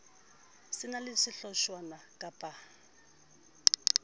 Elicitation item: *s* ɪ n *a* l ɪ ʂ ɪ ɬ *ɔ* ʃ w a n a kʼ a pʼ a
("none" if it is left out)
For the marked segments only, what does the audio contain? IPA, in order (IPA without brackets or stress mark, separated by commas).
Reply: s, a, ɔ